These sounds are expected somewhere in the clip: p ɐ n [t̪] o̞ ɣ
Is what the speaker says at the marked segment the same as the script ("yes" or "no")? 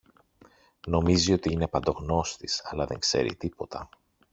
no